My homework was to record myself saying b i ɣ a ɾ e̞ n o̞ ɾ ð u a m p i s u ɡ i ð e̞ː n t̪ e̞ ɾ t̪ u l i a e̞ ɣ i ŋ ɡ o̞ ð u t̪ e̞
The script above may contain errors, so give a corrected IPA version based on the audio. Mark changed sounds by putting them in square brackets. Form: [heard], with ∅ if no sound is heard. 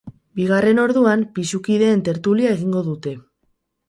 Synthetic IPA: b i ɣ a [r] e̞ n o̞ ɾ ð u a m p i s u [k] i ð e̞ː n t̪ e̞ ɾ t̪ u l i a e̞ ɣ i ŋ ɡ o̞ ð u t̪ e̞

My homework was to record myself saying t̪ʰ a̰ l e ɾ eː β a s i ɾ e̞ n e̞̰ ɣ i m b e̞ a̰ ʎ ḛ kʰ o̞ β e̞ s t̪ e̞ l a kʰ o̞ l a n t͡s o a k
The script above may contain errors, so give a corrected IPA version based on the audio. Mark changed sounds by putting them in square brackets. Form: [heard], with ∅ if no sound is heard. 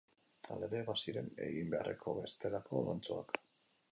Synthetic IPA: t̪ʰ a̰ l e ɾ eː β a s i ɾ e̞ n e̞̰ ɣ i m b e̞ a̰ [r] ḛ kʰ o̞ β e̞ s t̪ e̞ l a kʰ o̞ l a n t͡s o a k

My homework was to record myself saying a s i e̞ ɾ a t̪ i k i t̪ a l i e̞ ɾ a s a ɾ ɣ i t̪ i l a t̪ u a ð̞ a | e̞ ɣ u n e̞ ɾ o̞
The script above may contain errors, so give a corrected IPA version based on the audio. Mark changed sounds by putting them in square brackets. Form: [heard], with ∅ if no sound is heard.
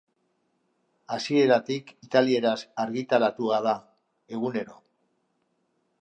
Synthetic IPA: a s i e̞ ɾ a t̪ i k i t̪ a l i e̞ ɾ a s a ɾ ɣ i t̪ [a] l a t̪ u a ð̞ a | e̞ ɣ u n e̞ ɾ o̞

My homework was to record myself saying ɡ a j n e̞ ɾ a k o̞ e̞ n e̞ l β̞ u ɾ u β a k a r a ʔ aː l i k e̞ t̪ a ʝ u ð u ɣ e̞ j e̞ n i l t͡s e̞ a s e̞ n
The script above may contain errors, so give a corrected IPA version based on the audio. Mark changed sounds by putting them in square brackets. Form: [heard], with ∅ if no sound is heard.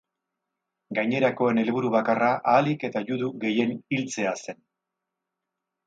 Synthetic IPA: ɡ a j [ɲ] e̞ ɾ a k o̞ e̞ n e̞ l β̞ u ɾ u β a k a r a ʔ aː l i k e̞ t̪ a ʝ u ð u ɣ e̞ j e̞ n i l t͡s e̞ a s e̞ n

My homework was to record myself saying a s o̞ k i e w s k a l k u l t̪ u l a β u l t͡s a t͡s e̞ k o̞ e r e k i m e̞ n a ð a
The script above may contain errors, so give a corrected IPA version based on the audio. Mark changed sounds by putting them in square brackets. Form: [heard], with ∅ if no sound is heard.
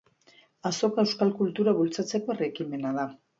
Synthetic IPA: a s o̞ k [a] e w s k a l k u l t̪ u [ɾ] a β u l t͡s a t͡s e̞ k o̞ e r e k i m e̞ n a ð a

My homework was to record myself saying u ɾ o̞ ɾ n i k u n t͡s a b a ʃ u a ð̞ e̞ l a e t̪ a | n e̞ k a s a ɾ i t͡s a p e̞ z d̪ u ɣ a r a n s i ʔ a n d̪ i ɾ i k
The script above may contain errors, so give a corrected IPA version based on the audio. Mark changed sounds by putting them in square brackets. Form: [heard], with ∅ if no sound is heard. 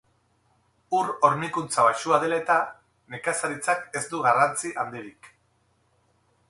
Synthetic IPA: u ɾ o̞ ɾ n i k u n t͡s a [β] a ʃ u a ð̞ e̞ l a e t̪ a | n e̞ k a s a ɾ i t͡s a [k] e̞ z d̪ u ɣ a r a n [t͡s] i ʔ a n d̪ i ɾ i k

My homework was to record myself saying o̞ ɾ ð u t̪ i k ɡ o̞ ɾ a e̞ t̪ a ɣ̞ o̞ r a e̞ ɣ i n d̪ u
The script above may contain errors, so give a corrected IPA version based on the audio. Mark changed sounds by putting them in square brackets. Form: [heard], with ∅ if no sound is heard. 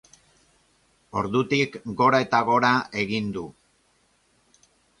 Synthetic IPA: o̞ ɾ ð u t̪ i k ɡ o̞ ɾ a e̞ t̪ a ɣ̞ o̞ [ɾ] a e̞ ɣ i n d̪ u

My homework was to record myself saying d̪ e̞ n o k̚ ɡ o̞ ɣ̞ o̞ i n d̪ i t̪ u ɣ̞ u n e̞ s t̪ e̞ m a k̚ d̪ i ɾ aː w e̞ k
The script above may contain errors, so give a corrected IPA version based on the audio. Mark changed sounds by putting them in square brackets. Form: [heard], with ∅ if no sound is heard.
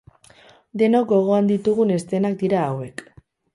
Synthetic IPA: d̪ e̞ n o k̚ ɡ o̞ ɣ̞ o̞ [a] n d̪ i t̪ u ɣ̞ u n e̞ s t̪ e̞ [n] a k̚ d̪ i ɾ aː w e̞ k

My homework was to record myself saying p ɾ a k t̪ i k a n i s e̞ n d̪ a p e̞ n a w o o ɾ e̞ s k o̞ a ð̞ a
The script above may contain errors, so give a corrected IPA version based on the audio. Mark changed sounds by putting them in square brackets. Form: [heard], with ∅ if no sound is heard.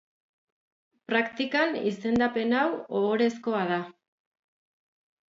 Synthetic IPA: p ɾ a k t̪ i k a n i s e̞ n d̪ a p e̞ n a w o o ɾ e̞ s k o̞ a ð̞ a

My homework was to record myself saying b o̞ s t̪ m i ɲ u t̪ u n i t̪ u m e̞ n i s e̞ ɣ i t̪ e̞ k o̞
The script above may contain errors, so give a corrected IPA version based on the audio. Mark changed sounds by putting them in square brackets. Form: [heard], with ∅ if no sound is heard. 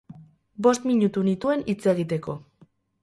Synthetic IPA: b o̞ s t̪ m i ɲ u t̪ u n i t̪ u [∅] e̞ n i [t͡s] e̞ ɣ i t̪ e̞ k o̞

